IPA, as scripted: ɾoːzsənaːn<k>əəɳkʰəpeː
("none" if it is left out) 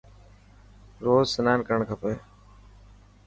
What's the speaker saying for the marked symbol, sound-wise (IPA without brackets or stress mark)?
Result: k